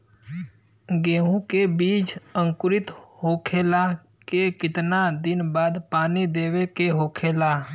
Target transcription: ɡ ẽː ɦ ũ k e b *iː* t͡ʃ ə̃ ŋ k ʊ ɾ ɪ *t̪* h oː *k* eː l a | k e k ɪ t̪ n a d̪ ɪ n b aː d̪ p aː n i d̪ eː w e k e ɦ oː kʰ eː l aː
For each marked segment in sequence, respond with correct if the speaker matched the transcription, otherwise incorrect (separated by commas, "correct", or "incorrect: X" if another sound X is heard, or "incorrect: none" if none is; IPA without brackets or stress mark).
correct, correct, incorrect: kʰ